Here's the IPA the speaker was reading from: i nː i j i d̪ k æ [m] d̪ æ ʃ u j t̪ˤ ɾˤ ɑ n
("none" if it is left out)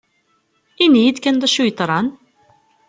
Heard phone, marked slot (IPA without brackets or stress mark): n